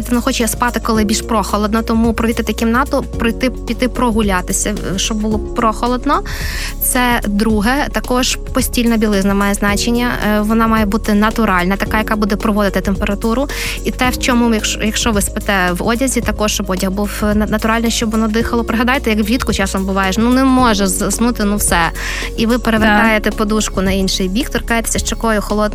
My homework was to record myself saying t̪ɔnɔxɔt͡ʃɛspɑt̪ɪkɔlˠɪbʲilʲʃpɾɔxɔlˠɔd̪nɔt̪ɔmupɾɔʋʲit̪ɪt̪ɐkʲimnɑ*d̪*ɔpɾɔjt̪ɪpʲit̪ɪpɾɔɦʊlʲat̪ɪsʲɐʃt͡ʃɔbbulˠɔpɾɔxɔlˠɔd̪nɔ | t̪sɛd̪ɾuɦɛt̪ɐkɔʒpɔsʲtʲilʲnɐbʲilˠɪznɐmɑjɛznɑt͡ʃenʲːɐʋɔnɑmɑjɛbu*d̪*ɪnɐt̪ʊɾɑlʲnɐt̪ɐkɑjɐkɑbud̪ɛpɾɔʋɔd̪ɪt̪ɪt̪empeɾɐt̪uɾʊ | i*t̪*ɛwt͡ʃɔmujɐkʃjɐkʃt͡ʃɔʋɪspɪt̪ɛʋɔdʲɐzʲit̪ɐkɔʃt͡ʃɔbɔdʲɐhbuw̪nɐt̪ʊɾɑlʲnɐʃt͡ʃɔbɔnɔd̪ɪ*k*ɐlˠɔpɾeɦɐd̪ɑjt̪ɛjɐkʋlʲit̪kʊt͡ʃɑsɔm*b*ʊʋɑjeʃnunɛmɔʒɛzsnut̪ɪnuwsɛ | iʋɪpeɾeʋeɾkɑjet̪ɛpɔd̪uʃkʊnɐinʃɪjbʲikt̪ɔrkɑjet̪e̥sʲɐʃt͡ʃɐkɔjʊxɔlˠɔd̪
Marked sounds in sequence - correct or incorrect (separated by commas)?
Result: incorrect, incorrect, correct, incorrect, correct